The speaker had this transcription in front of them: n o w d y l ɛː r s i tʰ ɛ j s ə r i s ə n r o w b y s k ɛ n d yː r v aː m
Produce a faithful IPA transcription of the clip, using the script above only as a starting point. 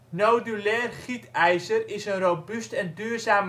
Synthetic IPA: n o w d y l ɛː r χ i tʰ ɛ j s ə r ɪ s ə n r o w b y s t ɛ n d yː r z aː m